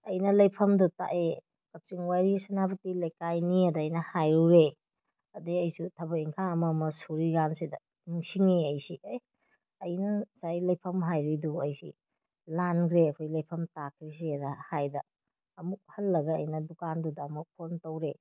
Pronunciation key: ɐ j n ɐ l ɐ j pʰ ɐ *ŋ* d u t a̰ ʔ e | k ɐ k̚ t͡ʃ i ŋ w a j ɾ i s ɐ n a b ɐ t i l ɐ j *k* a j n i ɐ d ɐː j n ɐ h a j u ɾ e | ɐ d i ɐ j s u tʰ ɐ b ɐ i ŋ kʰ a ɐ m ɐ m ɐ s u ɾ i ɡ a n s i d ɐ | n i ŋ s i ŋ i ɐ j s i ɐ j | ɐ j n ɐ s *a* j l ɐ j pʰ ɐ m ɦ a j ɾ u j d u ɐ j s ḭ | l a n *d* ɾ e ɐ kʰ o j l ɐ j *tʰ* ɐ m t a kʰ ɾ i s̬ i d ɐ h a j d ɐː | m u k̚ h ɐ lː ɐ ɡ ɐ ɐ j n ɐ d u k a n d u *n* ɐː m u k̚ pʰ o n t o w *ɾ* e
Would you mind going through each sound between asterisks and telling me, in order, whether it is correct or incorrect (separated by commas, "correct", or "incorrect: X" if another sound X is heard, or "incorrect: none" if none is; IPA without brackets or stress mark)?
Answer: incorrect: m, correct, correct, incorrect: ɡ, incorrect: pʰ, incorrect: d, correct